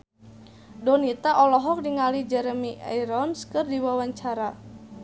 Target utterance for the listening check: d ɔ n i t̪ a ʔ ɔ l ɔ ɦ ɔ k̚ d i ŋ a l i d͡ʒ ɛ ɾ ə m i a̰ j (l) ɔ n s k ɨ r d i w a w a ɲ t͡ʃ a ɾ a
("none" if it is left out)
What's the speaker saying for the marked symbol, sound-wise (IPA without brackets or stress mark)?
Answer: ɾ